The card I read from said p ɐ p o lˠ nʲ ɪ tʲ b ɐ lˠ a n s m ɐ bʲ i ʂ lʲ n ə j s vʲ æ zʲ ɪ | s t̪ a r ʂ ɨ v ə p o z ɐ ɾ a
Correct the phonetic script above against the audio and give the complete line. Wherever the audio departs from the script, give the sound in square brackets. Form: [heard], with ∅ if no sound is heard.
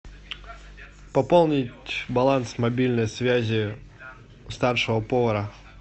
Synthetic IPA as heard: p ɐ p o lˠ nʲ ɪ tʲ b ɐ lˠ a n s m ɐ bʲ i [∅] lʲ n ə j s vʲ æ zʲ ɪ | s t̪ a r ʂ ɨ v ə p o [v] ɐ ɾ [ə]